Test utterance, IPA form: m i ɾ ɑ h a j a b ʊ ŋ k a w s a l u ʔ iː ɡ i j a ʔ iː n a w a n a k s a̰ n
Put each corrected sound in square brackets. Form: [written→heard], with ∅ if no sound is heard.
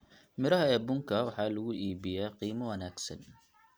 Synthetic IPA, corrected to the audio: m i ɾ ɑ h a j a b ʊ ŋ k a w [s→ħ] a l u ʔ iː [ɡ→b] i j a [ʔ→q] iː [n→m] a w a n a k s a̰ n